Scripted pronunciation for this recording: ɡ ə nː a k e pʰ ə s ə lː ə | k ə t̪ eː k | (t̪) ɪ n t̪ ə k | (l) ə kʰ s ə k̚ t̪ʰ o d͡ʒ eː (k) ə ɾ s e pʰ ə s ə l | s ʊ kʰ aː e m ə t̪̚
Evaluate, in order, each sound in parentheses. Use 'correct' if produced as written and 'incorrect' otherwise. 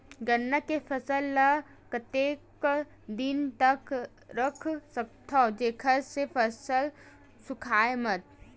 incorrect: d̪, incorrect: ɾ, incorrect: kʰ

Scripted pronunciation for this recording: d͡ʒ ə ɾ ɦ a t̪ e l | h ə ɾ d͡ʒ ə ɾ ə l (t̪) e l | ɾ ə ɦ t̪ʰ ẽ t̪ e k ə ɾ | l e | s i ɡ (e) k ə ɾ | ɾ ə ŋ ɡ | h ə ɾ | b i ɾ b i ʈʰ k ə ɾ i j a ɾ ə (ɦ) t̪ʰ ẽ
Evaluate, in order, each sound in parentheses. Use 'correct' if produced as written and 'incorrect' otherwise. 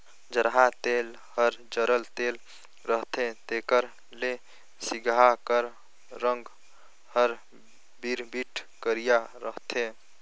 correct, incorrect: a, correct

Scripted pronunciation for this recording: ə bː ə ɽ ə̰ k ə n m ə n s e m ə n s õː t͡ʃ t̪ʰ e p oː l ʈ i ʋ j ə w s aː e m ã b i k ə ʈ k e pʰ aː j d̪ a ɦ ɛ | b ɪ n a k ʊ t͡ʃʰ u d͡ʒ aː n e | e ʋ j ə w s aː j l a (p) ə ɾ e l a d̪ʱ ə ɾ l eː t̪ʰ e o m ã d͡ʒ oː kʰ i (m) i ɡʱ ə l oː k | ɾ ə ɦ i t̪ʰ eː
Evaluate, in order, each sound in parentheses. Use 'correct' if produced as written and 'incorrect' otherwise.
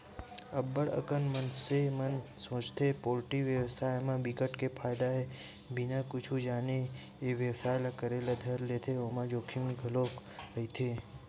incorrect: k, correct

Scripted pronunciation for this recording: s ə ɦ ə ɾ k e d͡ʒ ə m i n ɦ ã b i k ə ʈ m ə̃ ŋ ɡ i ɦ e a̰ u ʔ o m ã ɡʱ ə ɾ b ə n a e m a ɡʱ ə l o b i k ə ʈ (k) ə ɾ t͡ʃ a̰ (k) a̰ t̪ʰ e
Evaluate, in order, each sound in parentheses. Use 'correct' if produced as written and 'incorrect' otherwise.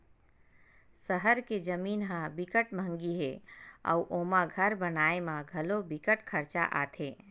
incorrect: kʰ, incorrect: ʔ

